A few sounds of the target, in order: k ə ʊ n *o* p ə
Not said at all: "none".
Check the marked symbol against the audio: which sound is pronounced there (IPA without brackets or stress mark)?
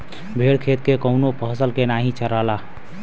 o